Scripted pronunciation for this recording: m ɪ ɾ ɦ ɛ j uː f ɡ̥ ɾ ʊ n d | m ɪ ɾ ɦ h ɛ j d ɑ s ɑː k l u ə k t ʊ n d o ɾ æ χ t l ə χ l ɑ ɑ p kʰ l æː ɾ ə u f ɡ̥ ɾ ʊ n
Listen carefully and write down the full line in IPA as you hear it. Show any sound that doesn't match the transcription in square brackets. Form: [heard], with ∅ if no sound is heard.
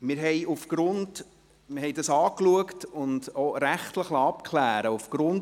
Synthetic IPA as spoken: m ɪ ɾ ɦ ɛ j [u] f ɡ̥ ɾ ʊ n d | m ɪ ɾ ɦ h ɛ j d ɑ s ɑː k l u ə k t ʊ n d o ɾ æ χ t l ə χ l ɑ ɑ p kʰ l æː ɾ ə u f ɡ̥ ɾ ʊ n